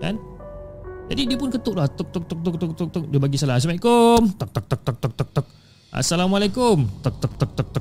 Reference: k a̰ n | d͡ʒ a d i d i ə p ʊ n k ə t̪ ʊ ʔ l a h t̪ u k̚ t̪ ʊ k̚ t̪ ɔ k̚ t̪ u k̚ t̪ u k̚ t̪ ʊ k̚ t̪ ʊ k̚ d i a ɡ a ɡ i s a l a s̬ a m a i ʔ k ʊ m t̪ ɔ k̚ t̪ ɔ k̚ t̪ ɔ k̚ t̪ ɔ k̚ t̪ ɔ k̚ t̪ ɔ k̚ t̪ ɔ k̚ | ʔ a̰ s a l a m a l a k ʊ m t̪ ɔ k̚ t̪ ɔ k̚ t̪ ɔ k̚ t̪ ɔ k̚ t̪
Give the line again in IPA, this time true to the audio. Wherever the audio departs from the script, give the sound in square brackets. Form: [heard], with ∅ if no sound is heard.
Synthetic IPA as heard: k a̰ n | d͡ʒ a d i d i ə p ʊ n k ə t̪ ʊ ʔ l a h t̪ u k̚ t̪ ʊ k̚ t̪ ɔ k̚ t̪ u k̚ t̪ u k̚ t̪ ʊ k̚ t̪ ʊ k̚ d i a [b] a ɡ i s a l a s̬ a m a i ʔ k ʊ m t̪ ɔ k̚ t̪ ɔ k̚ t̪ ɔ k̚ t̪ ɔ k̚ t̪ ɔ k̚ t̪ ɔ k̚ t̪ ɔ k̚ | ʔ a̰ s a l a m a l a k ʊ m t̪ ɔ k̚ t̪ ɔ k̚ t̪ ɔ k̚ t̪ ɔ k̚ t̪